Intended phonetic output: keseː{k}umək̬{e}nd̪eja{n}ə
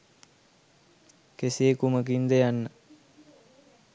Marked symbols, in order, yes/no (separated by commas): yes, no, no